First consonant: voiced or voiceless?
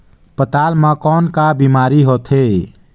voiceless